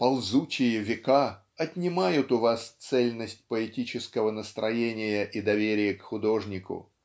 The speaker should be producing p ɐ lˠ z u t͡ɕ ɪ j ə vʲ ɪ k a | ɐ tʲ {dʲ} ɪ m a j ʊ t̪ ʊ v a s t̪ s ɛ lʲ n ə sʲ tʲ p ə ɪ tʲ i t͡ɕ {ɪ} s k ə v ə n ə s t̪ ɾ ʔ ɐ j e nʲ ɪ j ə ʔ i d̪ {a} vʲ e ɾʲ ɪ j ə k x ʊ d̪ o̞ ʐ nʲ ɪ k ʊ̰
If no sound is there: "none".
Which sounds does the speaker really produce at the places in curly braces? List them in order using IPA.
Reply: nʲ, ɪ, ɐ

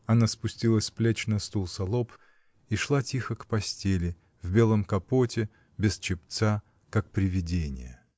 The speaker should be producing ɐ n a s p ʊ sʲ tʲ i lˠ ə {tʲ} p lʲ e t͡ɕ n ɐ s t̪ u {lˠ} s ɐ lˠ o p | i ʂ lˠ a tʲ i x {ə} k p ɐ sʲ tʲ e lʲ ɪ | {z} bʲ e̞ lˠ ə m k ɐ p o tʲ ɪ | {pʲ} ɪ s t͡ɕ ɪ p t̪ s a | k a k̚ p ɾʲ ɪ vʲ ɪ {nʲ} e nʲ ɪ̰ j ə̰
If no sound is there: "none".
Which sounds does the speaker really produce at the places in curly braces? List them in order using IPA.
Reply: sʲ, lˠ, ə, v, bʲ, dʲ

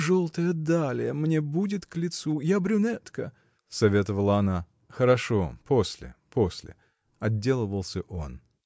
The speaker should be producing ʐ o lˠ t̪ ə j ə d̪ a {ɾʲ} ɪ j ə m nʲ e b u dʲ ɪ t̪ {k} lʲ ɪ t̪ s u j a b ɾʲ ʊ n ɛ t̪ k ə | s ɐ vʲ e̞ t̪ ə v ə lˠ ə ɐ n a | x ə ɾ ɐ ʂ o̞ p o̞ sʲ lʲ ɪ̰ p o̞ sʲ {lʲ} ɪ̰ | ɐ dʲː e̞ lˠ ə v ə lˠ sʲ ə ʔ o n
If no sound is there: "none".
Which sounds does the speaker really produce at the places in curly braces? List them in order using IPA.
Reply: lʲ, k, lʲ

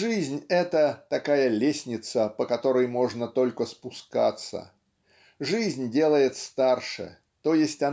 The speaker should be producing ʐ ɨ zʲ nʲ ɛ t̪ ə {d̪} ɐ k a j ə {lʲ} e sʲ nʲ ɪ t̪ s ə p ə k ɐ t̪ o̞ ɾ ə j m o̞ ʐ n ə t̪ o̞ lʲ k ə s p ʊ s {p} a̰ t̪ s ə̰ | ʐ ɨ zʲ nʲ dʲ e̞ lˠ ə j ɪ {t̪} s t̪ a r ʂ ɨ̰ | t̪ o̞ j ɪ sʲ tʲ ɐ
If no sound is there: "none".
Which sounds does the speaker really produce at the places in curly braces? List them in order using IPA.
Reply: t̪, lʲ, k, t̪

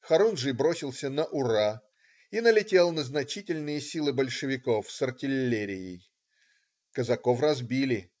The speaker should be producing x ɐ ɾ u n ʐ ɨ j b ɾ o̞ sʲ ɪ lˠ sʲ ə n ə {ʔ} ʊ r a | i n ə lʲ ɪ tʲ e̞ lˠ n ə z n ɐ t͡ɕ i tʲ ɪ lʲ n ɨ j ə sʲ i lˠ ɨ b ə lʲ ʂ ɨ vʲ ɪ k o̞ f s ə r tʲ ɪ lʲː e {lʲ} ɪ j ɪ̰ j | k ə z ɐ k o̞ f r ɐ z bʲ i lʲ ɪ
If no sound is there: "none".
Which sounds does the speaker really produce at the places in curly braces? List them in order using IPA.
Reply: ʔ, ɾʲ

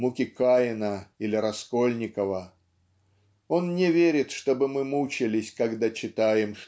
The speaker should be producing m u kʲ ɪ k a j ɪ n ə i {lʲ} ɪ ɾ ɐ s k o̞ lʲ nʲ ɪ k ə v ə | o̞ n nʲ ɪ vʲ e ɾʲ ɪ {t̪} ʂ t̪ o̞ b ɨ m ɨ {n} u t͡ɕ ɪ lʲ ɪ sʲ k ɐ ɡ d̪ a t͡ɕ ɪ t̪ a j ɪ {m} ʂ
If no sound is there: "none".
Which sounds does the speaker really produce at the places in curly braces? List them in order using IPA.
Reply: lʲ, t̪, m, m

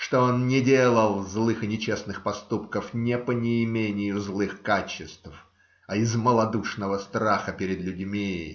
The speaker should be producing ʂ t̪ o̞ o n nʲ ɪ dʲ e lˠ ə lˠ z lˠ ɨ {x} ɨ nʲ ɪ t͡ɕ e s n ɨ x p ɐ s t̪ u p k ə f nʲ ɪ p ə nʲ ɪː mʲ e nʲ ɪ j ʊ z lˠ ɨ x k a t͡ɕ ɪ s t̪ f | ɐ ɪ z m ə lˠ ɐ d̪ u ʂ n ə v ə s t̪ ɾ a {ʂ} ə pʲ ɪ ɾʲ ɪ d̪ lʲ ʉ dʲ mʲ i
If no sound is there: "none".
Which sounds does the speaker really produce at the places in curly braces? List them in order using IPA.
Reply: x, x

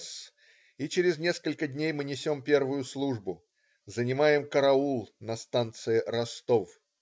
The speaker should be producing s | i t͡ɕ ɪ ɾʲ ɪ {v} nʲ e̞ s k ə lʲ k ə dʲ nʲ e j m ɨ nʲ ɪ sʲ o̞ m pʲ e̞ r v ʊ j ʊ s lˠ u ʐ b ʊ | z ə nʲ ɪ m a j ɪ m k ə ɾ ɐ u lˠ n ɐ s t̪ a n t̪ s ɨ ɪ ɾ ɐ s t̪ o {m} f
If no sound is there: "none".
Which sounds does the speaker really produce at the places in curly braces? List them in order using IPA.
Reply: z, none

